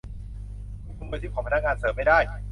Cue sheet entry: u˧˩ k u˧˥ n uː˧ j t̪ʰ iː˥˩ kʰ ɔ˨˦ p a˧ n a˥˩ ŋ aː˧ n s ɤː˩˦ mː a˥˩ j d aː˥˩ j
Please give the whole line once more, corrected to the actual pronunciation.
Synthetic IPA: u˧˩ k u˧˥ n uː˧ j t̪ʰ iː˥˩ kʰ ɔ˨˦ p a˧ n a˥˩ ŋ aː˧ n s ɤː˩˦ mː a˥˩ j d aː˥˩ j